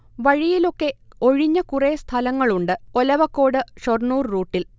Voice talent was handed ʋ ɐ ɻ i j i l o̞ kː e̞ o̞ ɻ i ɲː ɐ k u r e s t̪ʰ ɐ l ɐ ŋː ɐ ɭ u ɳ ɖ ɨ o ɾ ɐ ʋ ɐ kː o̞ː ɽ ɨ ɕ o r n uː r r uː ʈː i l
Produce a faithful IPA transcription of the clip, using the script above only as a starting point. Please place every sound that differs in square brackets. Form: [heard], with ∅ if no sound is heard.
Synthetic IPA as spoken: ʋ ɐ ɻ i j i l o̞ kː e̞ o̞ ɻ i ɲː ɐ k u r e s t̪ʰ ɐ l ɐ ŋː ɐ ɭ u ɳ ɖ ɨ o [l] ɐ ʋ ɐ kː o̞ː ɽ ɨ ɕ o r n uː r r uː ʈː i l